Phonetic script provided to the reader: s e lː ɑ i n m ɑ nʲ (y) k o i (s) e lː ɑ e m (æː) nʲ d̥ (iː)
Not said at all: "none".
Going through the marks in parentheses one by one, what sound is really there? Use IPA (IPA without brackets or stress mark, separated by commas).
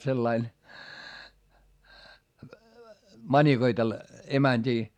i, t, æ, iː